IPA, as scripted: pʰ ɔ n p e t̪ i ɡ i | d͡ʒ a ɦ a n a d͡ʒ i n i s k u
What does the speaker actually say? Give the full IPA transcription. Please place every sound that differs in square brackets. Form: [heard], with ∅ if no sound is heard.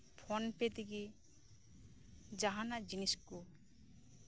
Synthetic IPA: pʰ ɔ n p e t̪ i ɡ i | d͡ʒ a ɦ a n a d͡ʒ i n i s k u